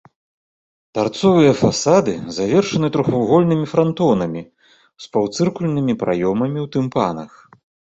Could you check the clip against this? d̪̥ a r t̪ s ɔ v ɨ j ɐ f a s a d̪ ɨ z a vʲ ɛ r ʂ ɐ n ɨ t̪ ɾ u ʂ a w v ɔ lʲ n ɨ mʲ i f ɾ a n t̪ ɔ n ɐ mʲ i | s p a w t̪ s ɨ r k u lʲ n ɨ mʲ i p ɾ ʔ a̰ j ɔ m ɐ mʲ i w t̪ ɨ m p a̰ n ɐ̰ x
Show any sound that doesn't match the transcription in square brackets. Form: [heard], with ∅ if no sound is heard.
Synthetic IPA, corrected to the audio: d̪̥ a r t̪ s ɔ v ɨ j ɐ f a s a d̪ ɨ z a vʲ ɛ r ʂ ɐ n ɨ t̪ ɾ u [x] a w [ɣ] ɔ lʲ n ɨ mʲ i f ɾ a n t̪ ɔ n ɐ mʲ i | s p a w t̪ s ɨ r k u lʲ n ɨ mʲ i p ɾ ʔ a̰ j ɔ m ɐ mʲ i w t̪ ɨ m p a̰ n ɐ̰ x